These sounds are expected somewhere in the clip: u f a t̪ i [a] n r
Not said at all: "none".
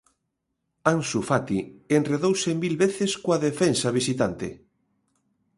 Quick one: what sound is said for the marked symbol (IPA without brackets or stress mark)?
e